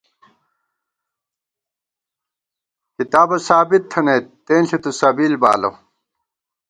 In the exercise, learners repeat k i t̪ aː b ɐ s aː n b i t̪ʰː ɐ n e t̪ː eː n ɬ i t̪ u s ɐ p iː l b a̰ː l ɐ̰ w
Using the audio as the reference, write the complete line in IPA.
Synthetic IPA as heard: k i t̪ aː b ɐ s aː b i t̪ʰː ɐ n e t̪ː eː n ɬ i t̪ u s ɐ b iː l b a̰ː l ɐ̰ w